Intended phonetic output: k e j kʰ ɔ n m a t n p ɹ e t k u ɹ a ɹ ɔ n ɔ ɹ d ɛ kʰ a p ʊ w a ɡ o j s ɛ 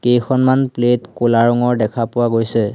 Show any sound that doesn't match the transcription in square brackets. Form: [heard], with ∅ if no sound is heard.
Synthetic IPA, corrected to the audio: k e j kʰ ɔ n m a [∅] n p [l] e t k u [l] a ɹ ɔ [ŋ] ɔ ɹ d ɛ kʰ a p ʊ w a ɡ o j s ɛ